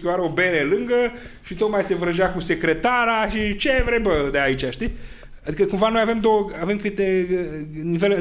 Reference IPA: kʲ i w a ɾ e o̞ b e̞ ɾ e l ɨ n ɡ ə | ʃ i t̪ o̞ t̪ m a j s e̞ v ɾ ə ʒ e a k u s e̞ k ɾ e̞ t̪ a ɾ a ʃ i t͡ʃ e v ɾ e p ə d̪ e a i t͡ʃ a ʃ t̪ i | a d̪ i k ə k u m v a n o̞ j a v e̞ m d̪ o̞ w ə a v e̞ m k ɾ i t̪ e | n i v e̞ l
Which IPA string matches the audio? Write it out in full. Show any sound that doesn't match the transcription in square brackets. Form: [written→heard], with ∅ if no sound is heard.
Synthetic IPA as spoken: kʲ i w a ɾ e o̞ b e̞ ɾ e l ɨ [n→ŋ] ɡ ə | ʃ i t̪ o̞ t̪ m a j s e̞ v ɾ ə ʒ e a k u s e̞ k ɾ e̞ t̪ a ɾ a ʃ i t͡ʃ e v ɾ e [p→b] ə d̪ e a i t͡ʃ a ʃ t̪ i | a d̪ i k ə k u m v a n o̞ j a v e̞ m d̪ o̞ w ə a v e̞ m k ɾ i t̪ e | n i v e̞ l